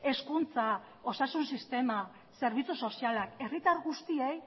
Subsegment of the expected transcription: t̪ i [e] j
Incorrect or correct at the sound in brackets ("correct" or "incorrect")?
correct